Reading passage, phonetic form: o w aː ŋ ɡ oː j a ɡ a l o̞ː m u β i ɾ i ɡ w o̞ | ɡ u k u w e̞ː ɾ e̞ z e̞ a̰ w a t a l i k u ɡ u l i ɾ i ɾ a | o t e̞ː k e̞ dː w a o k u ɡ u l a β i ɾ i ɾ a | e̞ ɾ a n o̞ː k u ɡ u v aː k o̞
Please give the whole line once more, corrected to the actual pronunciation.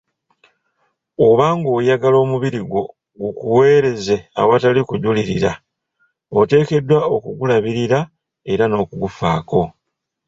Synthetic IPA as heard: o β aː ŋ ɡ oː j a ɡ a l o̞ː m u β i ɾ i ɡ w o̞ | ɡ u k u w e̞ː ɾ e̞ z e̞ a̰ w a t a l i k u ɟ u l i ɾ i ɾ a | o t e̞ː k e̞ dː w a o k u ɡ u l a β i ɾ i ɾ a | e̞ ɾ a n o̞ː k u ɡ u f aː k o̞